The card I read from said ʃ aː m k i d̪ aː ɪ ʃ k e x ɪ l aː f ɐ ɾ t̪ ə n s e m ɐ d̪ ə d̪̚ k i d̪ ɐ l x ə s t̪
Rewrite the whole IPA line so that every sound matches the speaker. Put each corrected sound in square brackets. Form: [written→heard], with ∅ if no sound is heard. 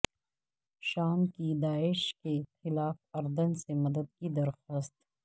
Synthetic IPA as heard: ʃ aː m k i d̪ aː ɪ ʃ k e x ɪ l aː f ɐ ɾ [t̪→d̪] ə n s e m ɐ d̪ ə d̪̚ k i d̪ ɐ [l→ɾ] x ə s t̪